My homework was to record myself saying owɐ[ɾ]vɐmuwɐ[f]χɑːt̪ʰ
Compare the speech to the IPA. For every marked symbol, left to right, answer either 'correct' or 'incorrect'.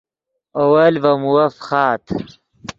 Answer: incorrect, correct

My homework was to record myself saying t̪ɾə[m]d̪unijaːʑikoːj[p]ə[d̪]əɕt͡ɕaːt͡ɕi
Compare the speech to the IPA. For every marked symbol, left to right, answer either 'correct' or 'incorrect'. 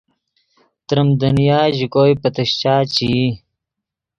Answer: correct, correct, incorrect

